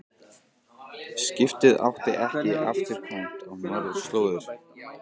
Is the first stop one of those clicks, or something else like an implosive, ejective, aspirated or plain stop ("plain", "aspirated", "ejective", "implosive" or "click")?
plain